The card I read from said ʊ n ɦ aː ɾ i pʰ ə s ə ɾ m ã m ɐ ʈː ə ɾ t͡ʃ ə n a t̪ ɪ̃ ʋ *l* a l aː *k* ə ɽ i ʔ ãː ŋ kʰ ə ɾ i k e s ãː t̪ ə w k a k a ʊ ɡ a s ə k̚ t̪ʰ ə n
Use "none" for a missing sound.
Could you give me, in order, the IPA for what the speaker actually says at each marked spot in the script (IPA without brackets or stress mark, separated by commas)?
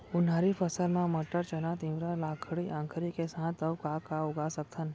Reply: ɾ, kʰ